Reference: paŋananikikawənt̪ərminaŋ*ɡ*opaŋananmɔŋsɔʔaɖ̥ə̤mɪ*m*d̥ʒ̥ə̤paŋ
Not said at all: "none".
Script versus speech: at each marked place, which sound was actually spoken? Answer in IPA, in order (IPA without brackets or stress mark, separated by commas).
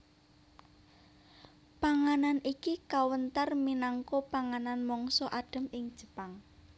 k, ŋ